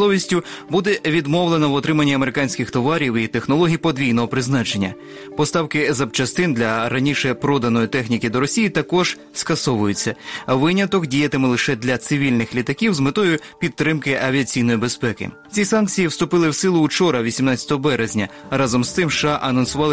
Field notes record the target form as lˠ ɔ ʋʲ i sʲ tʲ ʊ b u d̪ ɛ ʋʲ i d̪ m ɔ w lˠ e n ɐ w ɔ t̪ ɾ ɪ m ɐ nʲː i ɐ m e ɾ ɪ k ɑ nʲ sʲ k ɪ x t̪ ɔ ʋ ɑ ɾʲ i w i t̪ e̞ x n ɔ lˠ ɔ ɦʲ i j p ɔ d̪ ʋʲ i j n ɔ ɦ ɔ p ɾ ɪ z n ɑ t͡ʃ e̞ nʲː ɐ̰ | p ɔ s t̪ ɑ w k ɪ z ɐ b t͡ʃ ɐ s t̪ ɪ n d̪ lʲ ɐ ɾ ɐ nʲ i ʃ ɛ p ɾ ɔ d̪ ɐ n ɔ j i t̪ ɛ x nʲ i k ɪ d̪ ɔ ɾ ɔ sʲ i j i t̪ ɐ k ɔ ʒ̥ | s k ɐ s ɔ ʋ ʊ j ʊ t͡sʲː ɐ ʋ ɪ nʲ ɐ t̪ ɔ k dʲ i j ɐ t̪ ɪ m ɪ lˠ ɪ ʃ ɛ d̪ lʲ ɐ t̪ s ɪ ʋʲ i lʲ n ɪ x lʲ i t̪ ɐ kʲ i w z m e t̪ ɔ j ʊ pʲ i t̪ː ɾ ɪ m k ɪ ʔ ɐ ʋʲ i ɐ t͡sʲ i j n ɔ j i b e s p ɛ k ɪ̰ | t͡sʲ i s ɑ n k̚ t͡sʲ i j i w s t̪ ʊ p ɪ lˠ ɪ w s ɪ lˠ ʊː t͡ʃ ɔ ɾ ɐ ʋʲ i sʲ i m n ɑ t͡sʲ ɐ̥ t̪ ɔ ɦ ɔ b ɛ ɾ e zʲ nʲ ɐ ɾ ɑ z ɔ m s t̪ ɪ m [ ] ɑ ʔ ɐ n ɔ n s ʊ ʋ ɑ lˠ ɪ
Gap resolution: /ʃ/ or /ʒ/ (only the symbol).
ʃ